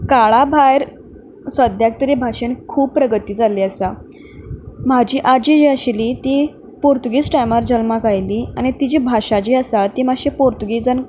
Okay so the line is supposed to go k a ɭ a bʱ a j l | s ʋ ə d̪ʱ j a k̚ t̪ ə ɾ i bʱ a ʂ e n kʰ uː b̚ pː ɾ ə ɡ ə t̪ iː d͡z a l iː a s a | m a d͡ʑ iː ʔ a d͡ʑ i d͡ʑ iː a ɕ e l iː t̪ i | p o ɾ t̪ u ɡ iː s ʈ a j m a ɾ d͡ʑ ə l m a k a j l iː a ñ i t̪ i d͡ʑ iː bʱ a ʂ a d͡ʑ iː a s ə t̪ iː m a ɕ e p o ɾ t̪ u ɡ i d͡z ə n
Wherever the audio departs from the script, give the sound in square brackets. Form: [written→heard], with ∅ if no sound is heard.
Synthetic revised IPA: k a ɭ a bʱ a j [l→ɾ] | s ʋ ə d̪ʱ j a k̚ t̪ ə ɾ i bʱ a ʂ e n kʰ uː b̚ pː ɾ ə ɡ ə t̪ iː d͡z a l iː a s a | m a d͡ʑ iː ʔ a d͡ʑ i d͡ʑ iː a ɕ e l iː t̪ i | p o ɾ t̪ u ɡ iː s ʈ a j m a ɾ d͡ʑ ə l m a k a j l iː a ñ i t̪ i d͡ʑ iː bʱ a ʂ a d͡ʑ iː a s [ə→a] t̪ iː m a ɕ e p o ɾ t̪ u ɡ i d͡z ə n